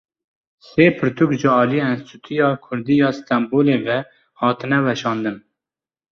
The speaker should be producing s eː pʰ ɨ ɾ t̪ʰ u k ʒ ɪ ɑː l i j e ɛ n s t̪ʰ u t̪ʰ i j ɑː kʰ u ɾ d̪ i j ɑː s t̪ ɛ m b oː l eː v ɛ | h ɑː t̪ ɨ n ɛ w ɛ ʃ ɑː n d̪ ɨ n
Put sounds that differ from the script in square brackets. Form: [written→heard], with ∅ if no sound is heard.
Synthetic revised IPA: s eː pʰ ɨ ɾ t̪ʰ u k ʒ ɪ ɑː l i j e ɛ n s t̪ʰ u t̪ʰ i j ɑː kʰ [u→ʊ] ɾ d̪ i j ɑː s t̪ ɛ m b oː l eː v ɛ | h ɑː t̪ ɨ n ɛ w ɛ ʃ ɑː n d̪ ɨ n